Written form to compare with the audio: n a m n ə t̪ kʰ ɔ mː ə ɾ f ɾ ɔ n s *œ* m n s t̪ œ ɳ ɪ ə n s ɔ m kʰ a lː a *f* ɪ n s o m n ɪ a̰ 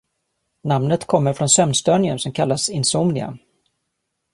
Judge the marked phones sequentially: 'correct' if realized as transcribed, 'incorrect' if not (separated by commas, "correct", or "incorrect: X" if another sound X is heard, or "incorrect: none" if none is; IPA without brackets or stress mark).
correct, incorrect: s